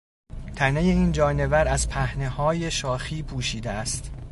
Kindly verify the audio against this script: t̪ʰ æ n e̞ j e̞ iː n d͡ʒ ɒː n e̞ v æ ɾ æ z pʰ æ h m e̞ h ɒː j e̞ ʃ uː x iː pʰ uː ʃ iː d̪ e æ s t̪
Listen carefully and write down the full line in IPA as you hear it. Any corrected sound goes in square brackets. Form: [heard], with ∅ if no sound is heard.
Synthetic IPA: t̪ʰ æ n e̞ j e̞ iː n d͡ʒ ɒː n e̞ v æ ɾ æ z pʰ æ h [n] e̞ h ɒː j e̞ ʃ [ɒː] x iː pʰ uː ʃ iː d̪ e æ s t̪